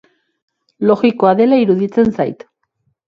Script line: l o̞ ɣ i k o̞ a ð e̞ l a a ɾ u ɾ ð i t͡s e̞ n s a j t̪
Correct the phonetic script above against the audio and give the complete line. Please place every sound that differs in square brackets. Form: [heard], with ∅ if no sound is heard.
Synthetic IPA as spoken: l o̞ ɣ i k o̞ a ð e̞ l a [i] ɾ u [∅] ð i t͡s e̞ n s a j t̪

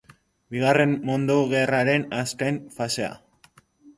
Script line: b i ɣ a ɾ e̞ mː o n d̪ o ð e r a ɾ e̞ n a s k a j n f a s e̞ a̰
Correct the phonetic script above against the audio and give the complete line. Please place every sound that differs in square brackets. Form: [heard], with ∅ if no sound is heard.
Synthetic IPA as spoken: b i ɣ a [r] e̞ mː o n d̪ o [ɣ] e r a ɾ e̞ n a s k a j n f a s e̞ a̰

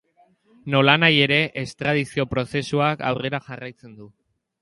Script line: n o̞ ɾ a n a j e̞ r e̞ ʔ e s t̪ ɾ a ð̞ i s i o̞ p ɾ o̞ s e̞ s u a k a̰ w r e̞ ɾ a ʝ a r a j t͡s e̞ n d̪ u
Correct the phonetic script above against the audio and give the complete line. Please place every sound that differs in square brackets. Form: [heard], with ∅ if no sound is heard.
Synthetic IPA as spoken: n o̞ [l] a n a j e̞ [ɾ] e̞ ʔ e s t̪ ɾ a ð̞ i s i o̞ p ɾ o̞ s e̞ s u a k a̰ w r e̞ ɾ a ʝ a r a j t͡s e̞ n d̪ u

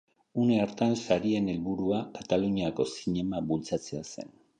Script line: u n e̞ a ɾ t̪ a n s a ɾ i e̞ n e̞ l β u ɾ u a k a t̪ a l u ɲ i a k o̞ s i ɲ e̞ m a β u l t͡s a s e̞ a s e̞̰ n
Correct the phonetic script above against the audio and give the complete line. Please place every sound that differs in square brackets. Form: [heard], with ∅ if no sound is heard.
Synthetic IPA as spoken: u n e̞ a ɾ t̪ a n s a ɾ i e̞ n e̞ l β u ɾ u a k a t̪ a l u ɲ i a k o̞ s i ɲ e̞ m a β u l t͡s a [t͡s] e̞ a s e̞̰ n

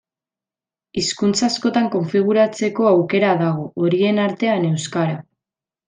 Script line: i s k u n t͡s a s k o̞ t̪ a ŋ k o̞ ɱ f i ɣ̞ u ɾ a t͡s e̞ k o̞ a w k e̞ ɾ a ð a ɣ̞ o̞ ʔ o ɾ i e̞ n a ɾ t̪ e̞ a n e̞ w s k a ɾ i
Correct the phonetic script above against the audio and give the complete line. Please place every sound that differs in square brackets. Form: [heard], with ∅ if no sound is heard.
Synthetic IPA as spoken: i s k u n t͡s a s k o̞ t̪ a ŋ k o̞ ɱ f i ɣ̞ u ɾ a t͡s e̞ k o̞ a w k e̞ ɾ a ð a ɣ̞ o̞ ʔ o ɾ i e̞ n a ɾ t̪ e̞ a n e̞ w s k a ɾ [a]

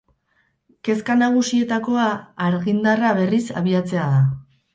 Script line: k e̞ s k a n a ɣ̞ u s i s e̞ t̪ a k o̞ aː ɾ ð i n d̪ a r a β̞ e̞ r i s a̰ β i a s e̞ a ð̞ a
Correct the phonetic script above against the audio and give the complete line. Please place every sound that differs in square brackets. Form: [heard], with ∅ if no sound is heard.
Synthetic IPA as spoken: k e̞ s k a n a ɣ̞ u s i [∅] e̞ t̪ a k o̞ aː ɾ [ɣ] i n d̪ a r a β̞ e̞ r i s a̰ β i a [t͡s] e̞ a ð̞ a

